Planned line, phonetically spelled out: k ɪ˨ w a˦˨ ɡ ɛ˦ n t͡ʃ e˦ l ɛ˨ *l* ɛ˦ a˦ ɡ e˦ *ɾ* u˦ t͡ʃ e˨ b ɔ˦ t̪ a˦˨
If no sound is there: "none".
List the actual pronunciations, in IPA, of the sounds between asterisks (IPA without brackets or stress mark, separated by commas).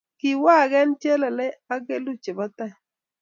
l, l